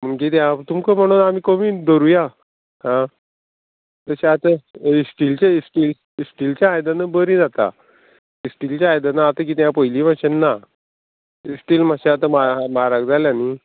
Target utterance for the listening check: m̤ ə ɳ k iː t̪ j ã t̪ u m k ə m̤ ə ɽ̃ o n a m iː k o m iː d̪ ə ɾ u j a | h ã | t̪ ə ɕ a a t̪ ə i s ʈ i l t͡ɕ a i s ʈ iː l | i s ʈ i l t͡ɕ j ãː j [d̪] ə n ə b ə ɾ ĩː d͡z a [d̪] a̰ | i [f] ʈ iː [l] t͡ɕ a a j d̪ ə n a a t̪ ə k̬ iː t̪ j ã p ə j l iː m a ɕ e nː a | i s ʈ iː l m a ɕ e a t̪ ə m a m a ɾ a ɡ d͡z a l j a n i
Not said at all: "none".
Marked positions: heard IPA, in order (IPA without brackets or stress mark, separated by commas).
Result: d̪, t̪, s, l